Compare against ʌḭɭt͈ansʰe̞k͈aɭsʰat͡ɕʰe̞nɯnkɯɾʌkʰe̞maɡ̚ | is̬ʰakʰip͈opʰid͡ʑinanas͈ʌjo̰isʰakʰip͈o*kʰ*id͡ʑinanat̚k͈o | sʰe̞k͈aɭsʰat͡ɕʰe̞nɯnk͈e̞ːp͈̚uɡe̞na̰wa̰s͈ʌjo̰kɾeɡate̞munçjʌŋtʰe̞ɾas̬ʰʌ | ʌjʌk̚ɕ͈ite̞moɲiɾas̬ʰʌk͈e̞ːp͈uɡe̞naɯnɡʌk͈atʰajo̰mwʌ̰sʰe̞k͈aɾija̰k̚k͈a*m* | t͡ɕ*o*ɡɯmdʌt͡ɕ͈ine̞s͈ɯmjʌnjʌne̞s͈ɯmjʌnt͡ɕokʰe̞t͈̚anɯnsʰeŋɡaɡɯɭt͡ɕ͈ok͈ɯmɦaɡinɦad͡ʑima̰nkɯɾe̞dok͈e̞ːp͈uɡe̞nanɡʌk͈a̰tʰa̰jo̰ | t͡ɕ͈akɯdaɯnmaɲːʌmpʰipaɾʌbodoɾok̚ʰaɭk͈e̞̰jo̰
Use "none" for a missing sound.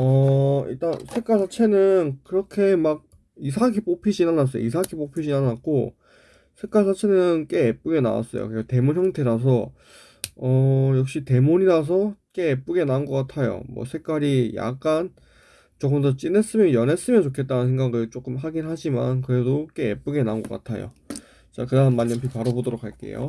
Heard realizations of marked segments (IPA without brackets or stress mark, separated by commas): pʰ, n, o